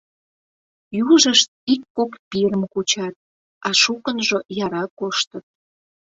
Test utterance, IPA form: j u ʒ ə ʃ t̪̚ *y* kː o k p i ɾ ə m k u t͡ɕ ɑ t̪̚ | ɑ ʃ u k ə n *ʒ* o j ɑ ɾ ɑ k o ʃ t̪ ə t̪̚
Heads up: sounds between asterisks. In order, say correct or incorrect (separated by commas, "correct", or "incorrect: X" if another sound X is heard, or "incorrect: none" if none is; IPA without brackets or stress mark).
incorrect: i, correct